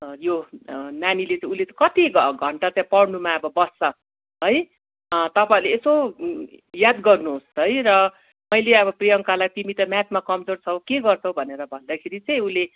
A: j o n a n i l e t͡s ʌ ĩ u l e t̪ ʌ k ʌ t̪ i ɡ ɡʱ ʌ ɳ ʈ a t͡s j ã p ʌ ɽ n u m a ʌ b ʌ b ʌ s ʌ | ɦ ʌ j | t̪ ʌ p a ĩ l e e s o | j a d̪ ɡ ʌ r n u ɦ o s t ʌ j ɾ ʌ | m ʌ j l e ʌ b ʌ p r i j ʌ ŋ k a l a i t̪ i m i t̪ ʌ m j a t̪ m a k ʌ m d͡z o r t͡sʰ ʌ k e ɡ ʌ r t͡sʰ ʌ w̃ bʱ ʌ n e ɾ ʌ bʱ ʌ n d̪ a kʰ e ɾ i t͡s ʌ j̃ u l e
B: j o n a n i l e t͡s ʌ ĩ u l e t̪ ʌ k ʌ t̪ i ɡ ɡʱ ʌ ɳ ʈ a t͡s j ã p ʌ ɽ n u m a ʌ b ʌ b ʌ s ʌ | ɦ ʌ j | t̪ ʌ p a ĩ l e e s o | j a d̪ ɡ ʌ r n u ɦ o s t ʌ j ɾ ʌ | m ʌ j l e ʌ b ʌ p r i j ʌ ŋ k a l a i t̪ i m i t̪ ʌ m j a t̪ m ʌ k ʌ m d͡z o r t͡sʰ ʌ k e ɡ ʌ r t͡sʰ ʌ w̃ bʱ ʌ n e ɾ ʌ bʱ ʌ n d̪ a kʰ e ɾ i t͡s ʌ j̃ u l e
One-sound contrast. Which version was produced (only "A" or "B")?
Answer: A